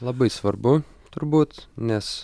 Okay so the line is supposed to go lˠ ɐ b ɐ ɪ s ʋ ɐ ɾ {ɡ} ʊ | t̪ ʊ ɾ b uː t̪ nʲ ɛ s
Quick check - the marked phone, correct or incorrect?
incorrect